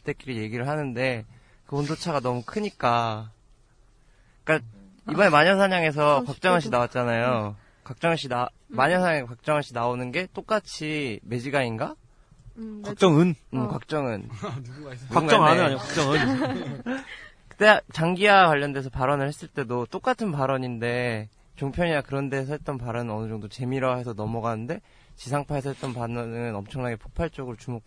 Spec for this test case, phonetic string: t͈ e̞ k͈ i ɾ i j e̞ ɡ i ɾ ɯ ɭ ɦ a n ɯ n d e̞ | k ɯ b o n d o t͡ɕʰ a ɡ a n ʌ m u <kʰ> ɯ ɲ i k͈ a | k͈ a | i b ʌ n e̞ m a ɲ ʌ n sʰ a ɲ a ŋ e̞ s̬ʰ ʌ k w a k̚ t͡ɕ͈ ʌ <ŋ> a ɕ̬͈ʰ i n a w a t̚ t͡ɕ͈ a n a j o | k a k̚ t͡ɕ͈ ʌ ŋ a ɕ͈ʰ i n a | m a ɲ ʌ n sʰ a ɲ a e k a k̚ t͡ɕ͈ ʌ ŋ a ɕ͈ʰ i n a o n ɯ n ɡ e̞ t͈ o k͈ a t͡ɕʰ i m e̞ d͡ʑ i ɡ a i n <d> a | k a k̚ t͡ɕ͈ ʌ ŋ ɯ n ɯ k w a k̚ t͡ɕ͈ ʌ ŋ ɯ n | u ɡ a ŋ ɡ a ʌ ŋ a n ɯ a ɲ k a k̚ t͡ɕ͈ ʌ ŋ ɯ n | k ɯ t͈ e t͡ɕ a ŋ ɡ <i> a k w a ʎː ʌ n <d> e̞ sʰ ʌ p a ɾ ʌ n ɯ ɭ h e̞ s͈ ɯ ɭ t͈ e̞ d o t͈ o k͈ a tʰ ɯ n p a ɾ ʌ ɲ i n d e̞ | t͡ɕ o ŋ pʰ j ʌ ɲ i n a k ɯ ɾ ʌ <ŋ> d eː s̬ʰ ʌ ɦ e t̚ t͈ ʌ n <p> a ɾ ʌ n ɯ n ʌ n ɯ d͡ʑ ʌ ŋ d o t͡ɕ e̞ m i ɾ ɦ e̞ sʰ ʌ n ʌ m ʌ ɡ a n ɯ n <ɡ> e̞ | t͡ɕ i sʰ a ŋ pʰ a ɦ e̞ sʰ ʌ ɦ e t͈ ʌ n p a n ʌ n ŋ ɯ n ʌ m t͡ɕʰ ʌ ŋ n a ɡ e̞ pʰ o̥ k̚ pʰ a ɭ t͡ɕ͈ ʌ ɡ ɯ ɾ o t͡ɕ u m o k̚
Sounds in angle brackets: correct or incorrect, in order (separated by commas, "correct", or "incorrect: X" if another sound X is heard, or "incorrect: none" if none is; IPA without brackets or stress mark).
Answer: correct, correct, incorrect: ɡ, correct, correct, incorrect: n, correct, incorrect: d